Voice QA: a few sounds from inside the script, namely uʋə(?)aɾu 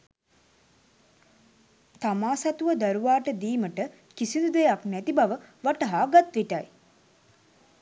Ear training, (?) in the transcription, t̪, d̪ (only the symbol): d̪